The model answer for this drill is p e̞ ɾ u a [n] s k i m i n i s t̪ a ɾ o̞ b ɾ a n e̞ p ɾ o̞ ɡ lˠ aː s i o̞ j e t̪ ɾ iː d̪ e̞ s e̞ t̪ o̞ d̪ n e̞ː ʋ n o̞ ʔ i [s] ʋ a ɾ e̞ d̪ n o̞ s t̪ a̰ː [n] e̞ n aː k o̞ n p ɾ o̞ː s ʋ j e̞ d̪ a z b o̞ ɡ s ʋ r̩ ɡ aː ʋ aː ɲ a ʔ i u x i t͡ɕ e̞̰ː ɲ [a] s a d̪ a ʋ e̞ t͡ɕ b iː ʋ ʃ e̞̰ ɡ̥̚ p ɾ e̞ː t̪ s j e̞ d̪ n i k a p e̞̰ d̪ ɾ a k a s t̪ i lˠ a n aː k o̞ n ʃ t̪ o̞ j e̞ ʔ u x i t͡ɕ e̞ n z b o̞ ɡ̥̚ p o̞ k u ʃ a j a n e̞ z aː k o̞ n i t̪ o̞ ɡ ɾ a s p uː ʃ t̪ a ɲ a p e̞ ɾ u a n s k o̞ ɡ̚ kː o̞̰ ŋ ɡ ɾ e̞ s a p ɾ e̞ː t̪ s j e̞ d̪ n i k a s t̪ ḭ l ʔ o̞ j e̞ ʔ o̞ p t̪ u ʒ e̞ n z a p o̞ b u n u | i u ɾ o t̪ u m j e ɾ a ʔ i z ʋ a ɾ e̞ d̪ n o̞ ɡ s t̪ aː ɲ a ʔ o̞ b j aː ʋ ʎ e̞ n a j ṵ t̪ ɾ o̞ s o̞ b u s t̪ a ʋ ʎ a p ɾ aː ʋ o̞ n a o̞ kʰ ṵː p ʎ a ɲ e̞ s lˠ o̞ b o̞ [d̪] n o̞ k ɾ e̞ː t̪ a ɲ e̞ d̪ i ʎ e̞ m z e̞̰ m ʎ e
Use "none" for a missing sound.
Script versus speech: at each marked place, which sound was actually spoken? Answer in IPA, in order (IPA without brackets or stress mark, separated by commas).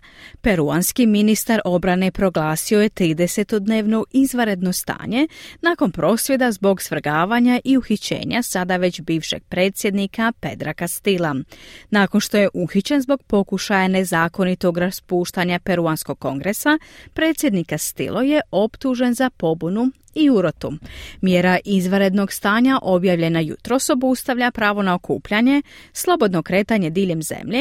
n, z, ɲ, a, d̪